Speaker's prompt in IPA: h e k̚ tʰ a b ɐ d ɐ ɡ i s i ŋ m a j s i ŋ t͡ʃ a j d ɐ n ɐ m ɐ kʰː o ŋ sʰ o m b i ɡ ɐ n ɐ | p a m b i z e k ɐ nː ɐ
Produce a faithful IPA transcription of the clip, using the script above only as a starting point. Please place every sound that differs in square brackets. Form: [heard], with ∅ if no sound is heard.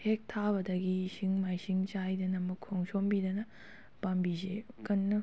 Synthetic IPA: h e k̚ tʰ a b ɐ d ɐ ɡ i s i ŋ m a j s i ŋ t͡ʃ a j d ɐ n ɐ m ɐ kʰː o ŋ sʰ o m b i [d] ɐ n ɐ | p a m b i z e k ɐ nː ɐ